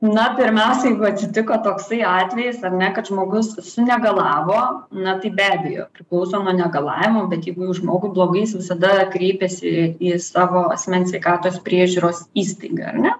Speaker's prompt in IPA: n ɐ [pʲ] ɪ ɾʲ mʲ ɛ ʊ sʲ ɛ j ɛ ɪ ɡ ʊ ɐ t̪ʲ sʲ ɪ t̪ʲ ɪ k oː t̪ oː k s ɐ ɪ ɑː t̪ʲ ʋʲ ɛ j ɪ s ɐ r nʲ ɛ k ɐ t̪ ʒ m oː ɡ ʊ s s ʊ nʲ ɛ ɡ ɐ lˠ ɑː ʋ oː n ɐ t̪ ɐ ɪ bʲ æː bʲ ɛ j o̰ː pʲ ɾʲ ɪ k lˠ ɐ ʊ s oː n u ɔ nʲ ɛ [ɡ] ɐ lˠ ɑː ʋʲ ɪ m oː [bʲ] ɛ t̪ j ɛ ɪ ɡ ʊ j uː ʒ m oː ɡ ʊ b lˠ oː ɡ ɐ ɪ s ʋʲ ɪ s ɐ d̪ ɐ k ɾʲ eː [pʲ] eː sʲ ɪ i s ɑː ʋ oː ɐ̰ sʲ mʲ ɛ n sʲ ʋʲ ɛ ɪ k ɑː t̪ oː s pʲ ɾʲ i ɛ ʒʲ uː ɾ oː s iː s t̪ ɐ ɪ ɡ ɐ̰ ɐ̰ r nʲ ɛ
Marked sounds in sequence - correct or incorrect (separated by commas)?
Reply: correct, correct, correct, correct